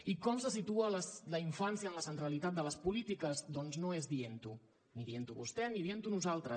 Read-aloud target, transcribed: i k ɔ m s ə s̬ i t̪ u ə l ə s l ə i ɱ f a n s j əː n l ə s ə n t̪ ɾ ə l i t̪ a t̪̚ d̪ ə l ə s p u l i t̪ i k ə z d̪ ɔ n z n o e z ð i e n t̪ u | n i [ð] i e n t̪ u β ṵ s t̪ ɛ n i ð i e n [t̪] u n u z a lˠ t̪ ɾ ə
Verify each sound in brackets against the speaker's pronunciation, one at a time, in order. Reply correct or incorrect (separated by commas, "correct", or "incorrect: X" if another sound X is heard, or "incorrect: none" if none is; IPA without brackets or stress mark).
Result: correct, correct